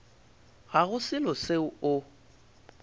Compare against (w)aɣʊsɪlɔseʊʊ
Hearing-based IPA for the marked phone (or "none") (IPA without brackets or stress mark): ɣ